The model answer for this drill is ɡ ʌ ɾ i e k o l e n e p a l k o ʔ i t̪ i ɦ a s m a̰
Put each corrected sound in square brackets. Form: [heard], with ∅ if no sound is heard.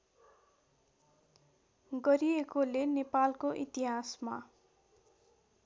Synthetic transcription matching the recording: ɡ ʌ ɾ i e k o l e n e p a l k o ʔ i t̪ i ɦ a s m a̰